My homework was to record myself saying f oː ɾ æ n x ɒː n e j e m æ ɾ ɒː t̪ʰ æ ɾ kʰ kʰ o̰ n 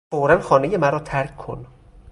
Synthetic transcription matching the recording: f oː ɾ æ n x ɒː n e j e m æ ɾ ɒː t̪ʰ æ ɾ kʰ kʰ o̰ n